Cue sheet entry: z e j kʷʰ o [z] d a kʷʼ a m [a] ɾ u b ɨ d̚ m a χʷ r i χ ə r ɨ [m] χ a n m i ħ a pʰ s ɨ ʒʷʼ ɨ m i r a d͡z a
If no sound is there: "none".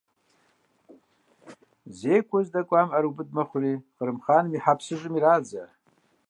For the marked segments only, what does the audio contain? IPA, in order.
z, a, m

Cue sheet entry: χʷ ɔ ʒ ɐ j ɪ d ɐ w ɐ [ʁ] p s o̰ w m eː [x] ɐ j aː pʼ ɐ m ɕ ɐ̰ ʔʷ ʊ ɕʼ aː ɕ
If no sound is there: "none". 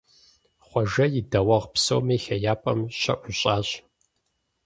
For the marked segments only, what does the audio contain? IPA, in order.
ʁ, x

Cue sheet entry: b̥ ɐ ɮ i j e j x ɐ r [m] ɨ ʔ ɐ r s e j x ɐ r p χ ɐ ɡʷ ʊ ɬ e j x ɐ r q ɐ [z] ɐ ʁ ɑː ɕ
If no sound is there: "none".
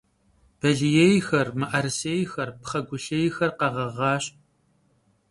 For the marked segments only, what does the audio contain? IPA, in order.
m, ʁ

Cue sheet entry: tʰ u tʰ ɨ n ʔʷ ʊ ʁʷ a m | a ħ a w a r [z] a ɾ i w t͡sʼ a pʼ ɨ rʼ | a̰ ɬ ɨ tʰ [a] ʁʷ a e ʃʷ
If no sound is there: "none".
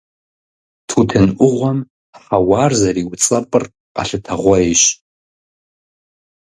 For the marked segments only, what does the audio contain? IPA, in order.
z, a

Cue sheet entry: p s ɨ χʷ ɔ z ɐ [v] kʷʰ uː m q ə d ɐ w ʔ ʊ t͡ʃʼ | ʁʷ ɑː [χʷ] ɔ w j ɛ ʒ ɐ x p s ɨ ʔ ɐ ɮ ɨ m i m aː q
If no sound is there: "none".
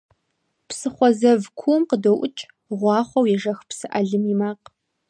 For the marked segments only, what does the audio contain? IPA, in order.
v, χʷ

